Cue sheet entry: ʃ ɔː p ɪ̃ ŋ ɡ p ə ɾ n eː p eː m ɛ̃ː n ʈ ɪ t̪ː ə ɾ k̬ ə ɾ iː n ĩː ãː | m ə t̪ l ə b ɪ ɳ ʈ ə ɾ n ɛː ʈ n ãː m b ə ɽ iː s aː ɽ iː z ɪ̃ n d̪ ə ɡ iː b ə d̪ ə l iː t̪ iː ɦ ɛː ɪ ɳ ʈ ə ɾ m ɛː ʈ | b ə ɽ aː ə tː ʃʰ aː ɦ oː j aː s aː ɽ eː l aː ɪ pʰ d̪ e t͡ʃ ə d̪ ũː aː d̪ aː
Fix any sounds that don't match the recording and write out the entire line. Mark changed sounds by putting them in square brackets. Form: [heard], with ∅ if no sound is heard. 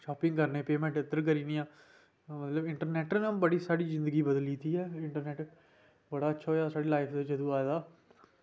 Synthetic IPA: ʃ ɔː p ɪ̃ ŋ ɡ [k] ə ɾ n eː p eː m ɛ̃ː [ɳ] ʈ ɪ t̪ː ə ɾ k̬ ə ɾ iː n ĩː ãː | m ə t̪ l ə b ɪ ɳ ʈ ə ɾ n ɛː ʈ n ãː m b ə ɽ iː s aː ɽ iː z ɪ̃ n d̪ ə ɡ iː b ə d̪ ə l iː t̪ iː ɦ ɛː ɪ ɳ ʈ ə ɾ [n] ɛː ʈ | b ə ɽ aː ə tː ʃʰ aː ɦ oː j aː s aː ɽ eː l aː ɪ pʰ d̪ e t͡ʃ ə d̪ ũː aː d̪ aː